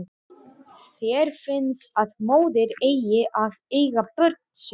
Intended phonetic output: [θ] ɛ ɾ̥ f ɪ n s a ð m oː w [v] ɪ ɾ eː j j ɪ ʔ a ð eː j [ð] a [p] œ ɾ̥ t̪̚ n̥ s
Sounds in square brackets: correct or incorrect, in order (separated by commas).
correct, incorrect, incorrect, correct